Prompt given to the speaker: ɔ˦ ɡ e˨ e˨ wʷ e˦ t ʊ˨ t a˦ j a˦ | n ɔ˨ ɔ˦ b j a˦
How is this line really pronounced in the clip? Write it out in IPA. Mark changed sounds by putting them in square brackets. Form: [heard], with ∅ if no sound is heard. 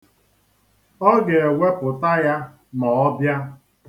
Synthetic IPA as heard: ɔ˦ ɡ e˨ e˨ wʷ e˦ [p] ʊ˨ t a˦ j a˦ | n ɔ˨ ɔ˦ b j a˦